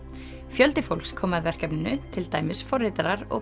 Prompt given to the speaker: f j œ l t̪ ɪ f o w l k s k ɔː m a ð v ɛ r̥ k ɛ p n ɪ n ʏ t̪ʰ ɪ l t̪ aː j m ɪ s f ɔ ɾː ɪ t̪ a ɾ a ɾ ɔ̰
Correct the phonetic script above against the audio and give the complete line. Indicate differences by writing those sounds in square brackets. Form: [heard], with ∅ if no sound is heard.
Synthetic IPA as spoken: f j œ l t̪ ɪ f o w l k s [kʰ] ɔː m a ð v ɛ r̥ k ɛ p n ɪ n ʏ t̪ʰ ɪ l t̪ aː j m ɪ s f ɔ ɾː ɪ t̪ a ɾ a ɾ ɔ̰